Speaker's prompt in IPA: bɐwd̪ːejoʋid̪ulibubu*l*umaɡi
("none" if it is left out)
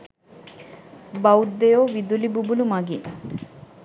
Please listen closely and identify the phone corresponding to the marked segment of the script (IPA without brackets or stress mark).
l